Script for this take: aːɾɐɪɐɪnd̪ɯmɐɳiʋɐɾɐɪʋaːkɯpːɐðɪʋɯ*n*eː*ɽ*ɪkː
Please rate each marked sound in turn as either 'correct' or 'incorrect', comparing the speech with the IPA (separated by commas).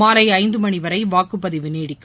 correct, correct